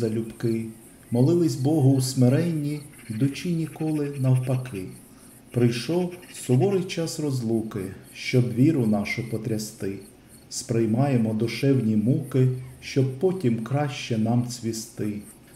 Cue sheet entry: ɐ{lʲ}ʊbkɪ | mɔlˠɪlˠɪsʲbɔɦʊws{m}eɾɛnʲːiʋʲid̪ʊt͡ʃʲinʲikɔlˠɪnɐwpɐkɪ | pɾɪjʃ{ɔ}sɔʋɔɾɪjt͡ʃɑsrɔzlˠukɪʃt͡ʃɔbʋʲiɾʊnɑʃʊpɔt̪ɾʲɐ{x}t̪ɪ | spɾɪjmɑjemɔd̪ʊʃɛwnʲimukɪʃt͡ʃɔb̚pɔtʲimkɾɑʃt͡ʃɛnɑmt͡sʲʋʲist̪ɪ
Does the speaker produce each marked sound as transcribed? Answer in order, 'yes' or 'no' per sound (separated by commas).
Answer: yes, yes, yes, no